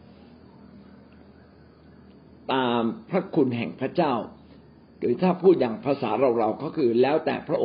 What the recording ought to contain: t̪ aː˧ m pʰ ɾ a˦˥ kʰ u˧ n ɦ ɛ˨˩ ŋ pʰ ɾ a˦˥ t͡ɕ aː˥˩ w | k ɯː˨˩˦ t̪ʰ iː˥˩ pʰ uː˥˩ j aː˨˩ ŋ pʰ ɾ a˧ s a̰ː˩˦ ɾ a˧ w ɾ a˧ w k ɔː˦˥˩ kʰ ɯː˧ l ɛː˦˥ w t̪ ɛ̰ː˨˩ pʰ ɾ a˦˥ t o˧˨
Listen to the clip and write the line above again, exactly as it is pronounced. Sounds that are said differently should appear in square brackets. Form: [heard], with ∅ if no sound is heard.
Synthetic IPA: t̪ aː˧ m pʰ ɾ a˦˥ kʰ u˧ n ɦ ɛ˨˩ ŋ pʰ ɾ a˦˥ t͡ɕ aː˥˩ w | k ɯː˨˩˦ t̪ʰ [aː˥˩] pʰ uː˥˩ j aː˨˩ ŋ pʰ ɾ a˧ s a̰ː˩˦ ɾ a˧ w ɾ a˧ w k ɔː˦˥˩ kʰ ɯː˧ l ɛː˦˥ w t̪ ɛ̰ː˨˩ pʰ ɾ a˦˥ [ʔ] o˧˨